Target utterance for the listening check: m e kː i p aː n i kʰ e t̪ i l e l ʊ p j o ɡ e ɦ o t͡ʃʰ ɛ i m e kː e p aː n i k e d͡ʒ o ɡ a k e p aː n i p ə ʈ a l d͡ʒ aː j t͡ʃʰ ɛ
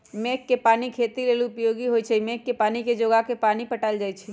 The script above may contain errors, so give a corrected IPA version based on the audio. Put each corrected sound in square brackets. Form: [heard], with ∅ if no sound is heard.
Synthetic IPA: m e kː [e] p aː n i kʰ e t̪ i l e l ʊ p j o ɡ [i] ɦ o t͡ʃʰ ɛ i m e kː e p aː n i k e d͡ʒ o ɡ a k e p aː n i p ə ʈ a l d͡ʒ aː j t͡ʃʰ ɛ